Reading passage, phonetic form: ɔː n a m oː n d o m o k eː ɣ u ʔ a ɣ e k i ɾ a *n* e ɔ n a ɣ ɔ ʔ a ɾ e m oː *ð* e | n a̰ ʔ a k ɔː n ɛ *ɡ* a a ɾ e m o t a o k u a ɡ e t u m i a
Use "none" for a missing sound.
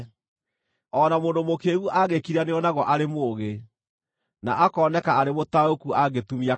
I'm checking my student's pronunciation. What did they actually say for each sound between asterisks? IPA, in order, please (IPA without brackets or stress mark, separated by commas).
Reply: n, ɣ, k